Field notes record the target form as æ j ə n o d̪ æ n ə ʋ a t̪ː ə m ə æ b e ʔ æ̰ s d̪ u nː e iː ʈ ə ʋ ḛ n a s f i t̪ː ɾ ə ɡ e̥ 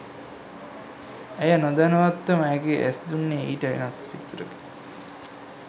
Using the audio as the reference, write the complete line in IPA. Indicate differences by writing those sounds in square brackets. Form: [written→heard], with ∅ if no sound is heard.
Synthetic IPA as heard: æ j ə n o d̪ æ n ə ʋ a t̪ː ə m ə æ [b→ɡ] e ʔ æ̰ s d̪ u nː e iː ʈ ə ʋ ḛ n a s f i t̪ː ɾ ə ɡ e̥